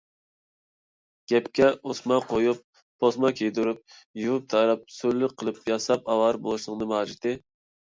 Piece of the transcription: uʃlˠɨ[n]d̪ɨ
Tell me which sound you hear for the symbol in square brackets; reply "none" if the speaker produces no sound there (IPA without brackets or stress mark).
ŋ